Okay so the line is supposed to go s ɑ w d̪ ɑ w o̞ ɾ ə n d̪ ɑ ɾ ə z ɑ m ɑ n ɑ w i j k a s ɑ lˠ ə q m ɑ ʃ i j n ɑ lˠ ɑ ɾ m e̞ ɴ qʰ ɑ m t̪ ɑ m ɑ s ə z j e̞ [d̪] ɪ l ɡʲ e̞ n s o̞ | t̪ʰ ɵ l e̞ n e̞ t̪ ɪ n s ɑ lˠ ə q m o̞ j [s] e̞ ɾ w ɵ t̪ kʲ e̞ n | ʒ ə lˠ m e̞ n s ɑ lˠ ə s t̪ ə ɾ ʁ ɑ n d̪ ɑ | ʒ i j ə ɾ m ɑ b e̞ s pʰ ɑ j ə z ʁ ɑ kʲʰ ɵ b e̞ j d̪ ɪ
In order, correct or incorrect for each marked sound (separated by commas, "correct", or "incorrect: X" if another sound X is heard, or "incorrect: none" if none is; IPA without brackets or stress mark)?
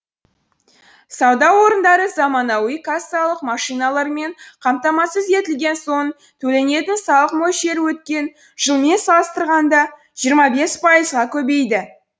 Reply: incorrect: t̪, incorrect: ʃ